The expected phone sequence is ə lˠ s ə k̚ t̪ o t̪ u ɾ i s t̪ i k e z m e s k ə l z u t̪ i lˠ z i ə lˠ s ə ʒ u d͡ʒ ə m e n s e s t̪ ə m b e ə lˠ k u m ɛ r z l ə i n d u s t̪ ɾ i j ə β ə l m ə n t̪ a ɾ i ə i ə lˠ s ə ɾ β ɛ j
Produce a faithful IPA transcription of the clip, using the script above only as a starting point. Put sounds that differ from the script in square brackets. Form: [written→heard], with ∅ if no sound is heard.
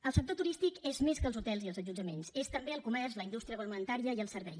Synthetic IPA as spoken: ə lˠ s ə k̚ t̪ o t̪ u ɾ i s t̪ i k e z m e s k ə l z u t̪ [i→ɛ] lˠ z i ə lˠ [s→z] ə ʒ u d͡ʒ ə m e n s e s t̪ ə m b e ə lˠ k u m ɛ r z l ə i n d u s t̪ ɾ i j ə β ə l m ə n t̪ a ɾ i ə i ə lˠ s ə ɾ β ɛ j